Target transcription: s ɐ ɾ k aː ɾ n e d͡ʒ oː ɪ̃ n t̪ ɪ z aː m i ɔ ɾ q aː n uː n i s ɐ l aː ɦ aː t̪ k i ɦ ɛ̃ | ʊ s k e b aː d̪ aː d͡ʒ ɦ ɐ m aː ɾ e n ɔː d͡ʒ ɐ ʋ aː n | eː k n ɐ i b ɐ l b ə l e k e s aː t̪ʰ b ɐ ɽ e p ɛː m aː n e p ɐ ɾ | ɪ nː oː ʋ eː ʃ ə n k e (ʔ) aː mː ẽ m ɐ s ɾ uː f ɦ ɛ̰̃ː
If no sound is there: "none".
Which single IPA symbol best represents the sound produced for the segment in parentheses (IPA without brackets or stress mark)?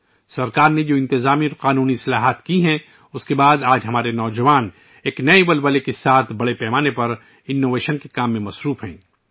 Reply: k